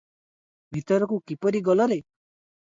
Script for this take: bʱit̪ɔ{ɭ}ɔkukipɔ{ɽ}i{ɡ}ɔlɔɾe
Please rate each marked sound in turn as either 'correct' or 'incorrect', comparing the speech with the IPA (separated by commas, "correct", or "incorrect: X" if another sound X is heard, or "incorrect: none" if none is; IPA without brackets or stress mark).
incorrect: ɾ, incorrect: ɾ, correct